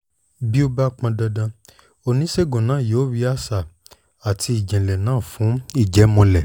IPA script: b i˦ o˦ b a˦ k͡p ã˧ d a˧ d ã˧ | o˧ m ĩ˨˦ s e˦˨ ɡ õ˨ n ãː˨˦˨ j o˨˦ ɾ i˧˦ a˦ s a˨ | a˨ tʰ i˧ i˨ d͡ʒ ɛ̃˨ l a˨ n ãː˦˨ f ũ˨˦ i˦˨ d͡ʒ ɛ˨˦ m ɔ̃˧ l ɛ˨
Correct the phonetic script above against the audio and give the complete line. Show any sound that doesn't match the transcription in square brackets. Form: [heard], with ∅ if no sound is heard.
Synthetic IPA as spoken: b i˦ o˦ b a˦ k͡p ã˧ d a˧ d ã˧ | o˧ [n] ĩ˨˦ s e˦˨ ɡ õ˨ n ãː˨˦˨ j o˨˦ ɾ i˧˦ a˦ s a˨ | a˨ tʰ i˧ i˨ d͡ʒ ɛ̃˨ l [ɛ˨] n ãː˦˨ f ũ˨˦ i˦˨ d͡ʒ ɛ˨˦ m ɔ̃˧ l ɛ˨